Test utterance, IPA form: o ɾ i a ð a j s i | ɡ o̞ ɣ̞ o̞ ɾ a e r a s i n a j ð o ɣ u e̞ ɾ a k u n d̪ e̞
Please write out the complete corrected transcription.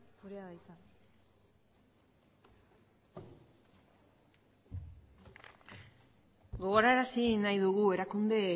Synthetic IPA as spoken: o ɾ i a ð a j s a | ɡ o̞ ɣ̞ o̞ ɾ a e ɾ a s i n a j ð u ɣ u e̞ ɾ a k u n d̪ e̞